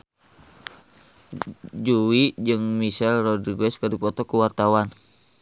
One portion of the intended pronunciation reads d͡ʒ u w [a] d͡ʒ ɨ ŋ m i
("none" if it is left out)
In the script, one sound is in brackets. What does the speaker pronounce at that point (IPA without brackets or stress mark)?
i